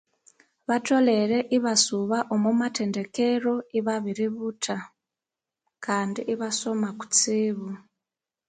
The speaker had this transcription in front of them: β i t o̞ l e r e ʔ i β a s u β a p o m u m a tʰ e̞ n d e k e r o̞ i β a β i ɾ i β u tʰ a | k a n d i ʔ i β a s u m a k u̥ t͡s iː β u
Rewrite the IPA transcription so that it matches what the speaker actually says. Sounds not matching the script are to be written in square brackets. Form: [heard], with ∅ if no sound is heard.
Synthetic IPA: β [a] t o̞ l e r e ʔ i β a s u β a [ʔ] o m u m a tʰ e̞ n d e k e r o̞ i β a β i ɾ i β u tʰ a | k a n d i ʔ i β a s [o] m a k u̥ t͡s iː β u